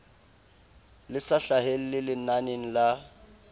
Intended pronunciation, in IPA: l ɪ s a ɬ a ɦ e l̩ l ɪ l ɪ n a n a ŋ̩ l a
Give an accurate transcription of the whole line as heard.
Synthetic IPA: l ɪ s a ɬ a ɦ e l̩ l ɪ l ɪ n a n e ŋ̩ l a